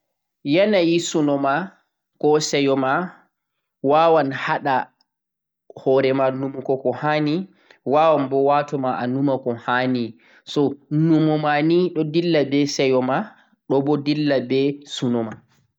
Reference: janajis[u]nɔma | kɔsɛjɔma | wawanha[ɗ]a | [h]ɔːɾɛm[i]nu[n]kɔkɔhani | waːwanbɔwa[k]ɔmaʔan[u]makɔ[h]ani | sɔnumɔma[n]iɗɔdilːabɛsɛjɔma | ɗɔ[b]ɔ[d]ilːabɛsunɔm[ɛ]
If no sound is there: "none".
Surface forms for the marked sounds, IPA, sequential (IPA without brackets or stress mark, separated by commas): u, ɗ, h, a, m, t, u, h, n, b, d, a